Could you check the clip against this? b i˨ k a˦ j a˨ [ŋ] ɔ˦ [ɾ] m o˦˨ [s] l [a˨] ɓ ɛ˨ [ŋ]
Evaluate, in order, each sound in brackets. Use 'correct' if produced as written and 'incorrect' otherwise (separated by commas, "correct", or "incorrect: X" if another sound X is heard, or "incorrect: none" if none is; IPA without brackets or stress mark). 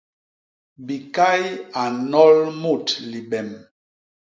incorrect: n, incorrect: l, incorrect: t, incorrect: i˨, incorrect: m